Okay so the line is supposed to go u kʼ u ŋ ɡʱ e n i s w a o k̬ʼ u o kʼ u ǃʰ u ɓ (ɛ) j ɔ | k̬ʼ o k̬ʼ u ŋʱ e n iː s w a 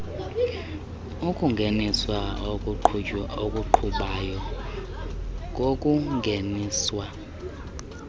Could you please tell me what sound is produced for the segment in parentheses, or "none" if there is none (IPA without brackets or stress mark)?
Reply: a